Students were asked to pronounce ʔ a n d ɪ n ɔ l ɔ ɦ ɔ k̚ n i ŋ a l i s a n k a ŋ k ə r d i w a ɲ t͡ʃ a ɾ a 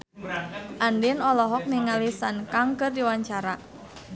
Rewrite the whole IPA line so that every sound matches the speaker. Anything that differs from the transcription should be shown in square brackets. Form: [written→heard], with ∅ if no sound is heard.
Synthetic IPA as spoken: ʔ a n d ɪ n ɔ l ɔ ɦ ɔ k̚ n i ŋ a l i s a n k a ŋ k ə r d i w a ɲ t͡ʃ a ɾ a